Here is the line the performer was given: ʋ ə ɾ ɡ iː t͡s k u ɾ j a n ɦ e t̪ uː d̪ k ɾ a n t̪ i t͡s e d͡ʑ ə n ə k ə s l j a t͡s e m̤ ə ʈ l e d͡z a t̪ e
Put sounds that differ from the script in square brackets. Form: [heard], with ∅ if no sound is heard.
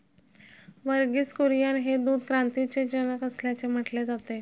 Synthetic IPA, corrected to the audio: ʋ ə ɾ ɡ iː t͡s k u ɾ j a n ɦ e [d̪] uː d̪ k ɾ a n t̪ i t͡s e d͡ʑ ə n ə k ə s l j a t͡s e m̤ ə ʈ l e d͡z a t̪ e